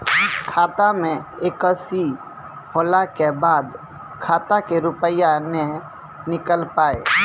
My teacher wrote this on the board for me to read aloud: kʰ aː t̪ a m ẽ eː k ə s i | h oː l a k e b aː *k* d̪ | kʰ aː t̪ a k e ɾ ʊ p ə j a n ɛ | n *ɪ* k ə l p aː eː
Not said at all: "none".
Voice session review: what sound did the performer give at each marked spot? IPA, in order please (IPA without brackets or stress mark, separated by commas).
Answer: none, ɪ